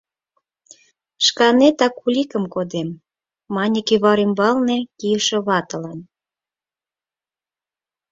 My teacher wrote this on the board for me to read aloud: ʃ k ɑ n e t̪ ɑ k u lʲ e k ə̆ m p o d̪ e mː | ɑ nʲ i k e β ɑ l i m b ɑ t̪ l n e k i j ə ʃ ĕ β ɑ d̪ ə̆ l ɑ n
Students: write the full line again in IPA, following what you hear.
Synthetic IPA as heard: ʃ k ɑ n e t̪ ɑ k u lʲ i k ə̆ m k o d̪ e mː | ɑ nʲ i k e β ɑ ɾ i m b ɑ l n e k i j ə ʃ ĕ β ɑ t̪ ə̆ l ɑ n